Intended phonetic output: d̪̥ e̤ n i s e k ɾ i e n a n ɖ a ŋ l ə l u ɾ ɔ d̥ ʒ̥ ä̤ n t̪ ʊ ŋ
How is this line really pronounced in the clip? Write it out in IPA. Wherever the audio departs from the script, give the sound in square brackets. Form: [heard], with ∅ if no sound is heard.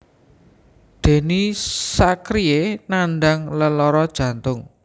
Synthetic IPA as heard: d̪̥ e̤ n i s [a] k ɾ i e n a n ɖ a ŋ l ə l [ɔ] ɾ ɔ d̥ ʒ̥ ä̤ n t̪ ʊ ŋ